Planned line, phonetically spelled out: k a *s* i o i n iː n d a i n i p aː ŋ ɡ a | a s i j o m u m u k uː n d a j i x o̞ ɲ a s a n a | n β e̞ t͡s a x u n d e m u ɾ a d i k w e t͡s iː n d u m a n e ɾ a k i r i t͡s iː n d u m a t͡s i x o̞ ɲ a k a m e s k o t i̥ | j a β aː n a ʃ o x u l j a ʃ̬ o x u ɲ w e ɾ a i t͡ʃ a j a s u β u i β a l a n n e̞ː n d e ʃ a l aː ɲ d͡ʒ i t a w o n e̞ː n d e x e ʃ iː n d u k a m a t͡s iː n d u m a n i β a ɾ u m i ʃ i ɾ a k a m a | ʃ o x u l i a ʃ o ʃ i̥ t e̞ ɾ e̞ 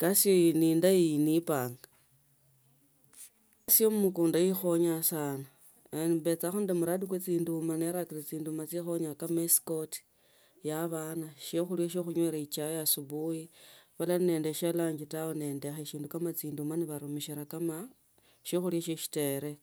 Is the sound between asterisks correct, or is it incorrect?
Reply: correct